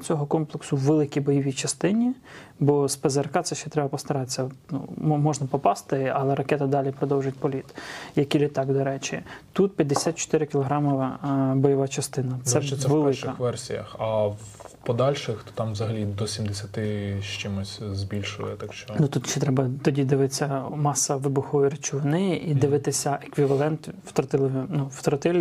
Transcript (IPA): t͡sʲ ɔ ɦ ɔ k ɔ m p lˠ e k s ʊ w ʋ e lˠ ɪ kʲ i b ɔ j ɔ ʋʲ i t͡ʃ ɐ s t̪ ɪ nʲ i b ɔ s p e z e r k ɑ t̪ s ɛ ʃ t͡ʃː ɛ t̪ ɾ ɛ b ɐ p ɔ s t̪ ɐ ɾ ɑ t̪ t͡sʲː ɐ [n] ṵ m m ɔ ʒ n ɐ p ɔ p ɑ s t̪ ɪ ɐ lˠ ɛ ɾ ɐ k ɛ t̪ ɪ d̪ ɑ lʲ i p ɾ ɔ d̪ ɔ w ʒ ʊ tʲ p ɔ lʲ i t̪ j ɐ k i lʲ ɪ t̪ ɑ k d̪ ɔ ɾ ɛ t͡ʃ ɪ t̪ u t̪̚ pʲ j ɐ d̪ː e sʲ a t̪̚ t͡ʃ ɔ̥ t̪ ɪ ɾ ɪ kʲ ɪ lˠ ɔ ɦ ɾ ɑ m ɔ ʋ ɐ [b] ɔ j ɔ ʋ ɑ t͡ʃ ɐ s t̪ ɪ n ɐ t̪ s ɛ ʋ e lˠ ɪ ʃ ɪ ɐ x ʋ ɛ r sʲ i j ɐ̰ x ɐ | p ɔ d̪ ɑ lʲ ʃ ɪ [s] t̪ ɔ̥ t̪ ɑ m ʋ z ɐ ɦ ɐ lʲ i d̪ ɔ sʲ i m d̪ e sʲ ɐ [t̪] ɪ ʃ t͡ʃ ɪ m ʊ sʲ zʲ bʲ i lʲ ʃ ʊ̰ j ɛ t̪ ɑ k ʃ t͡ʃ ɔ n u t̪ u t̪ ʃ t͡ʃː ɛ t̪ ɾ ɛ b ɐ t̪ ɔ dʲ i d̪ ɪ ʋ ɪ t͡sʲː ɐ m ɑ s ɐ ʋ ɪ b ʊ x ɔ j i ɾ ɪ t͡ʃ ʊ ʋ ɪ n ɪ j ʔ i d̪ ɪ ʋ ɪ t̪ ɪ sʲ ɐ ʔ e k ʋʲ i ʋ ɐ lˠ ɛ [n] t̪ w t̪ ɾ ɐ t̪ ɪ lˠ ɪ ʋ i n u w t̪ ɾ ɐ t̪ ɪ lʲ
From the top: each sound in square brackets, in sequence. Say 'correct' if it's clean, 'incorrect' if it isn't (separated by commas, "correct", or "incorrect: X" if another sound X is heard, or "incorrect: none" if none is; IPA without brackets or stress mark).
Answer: correct, correct, incorrect: x, correct, correct